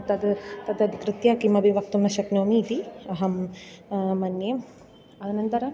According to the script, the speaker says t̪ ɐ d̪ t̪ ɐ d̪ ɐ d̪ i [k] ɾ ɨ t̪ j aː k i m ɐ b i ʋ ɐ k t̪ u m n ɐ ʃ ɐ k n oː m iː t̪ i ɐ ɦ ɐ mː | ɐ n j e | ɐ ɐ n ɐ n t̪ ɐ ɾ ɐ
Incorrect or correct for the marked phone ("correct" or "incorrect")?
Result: correct